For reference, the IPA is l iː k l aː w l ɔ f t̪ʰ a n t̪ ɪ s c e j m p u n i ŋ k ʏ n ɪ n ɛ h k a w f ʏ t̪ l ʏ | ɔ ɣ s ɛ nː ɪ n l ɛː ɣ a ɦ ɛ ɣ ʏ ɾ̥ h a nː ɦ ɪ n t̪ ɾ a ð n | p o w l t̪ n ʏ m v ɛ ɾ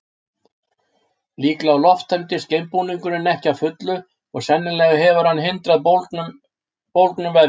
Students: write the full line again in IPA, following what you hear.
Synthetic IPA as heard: l iː k l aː w l ɔ f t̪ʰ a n t̪ ɪ s c e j m p u n i ŋ k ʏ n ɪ n ɛ h c a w f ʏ t̪ l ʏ | ɔ ɣ s ɛ nː ɪ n l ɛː ɣ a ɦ ɛ v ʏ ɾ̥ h a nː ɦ ɪ n t̪ ɾ a ð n | p o w l t̪ n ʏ m v ɛ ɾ